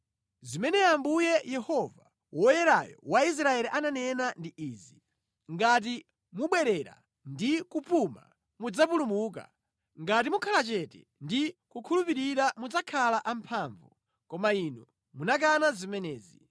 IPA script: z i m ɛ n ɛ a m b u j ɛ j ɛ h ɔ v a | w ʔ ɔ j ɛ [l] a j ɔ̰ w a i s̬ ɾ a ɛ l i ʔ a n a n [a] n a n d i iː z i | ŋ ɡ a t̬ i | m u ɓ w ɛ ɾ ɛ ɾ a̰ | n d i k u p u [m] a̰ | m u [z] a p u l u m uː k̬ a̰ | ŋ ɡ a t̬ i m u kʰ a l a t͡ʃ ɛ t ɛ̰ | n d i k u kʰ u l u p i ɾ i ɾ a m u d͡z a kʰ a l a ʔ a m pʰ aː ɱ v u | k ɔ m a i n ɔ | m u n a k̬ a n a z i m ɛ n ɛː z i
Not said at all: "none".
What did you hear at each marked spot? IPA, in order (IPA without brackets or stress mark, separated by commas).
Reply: ɾ, ɛ, m, d͡z